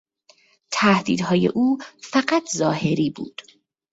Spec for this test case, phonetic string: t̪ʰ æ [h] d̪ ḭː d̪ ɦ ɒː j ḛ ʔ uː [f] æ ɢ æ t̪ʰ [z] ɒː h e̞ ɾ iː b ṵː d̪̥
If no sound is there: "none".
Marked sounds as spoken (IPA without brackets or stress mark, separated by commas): h, f, z